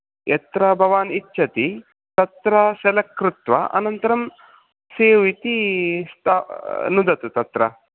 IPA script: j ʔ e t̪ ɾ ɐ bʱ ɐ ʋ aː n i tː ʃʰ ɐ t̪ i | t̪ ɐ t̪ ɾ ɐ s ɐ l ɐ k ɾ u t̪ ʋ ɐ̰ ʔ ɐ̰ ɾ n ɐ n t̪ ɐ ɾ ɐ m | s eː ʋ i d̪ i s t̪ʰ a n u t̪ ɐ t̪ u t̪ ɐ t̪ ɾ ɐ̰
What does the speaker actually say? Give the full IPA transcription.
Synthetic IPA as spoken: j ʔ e t̪ ɾ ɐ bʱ ɐ ʋ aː n i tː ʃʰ ɐ t̪ i | t̪ ɐ t̪ ɾ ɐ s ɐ l ɐ k ɾ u t̪ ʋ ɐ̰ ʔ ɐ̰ n ɐ n t̪ ɐ ɾ ɐ m | s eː ʋ i t̪ i s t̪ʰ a n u d̪ ɐ t̪ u t̪ ɐ t̪ ɾ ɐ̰